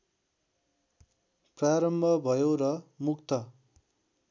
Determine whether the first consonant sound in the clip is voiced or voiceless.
voiceless